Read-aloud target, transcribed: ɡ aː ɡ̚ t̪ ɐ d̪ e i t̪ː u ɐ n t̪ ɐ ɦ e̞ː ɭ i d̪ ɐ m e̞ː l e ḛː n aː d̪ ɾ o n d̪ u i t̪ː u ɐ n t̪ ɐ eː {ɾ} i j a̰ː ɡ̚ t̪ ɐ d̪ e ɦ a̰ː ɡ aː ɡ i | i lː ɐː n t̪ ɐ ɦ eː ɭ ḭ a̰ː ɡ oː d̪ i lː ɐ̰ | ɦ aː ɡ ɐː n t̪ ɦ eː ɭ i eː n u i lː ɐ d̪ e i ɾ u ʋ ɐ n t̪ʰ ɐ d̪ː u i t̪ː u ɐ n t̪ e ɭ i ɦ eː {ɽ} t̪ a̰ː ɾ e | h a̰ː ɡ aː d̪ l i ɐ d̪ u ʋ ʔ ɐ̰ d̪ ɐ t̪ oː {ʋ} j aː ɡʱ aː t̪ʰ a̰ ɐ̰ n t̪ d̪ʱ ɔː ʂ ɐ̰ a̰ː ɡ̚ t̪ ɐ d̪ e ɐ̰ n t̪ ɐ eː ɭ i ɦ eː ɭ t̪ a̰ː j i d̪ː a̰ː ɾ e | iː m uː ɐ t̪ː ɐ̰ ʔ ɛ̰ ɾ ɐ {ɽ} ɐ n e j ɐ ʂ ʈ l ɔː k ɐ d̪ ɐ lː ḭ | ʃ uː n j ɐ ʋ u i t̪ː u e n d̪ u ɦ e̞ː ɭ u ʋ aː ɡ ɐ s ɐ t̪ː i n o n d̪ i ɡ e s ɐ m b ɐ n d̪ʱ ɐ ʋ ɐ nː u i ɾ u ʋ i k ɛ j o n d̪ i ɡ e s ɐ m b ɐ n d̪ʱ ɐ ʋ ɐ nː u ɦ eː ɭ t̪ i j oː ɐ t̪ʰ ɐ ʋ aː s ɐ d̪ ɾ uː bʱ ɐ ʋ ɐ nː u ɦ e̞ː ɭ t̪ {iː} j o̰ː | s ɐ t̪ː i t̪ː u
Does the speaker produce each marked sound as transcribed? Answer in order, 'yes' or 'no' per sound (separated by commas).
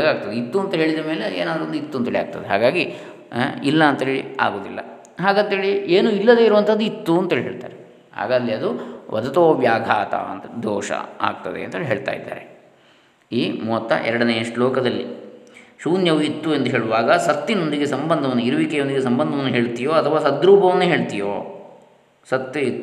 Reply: no, no, yes, yes, no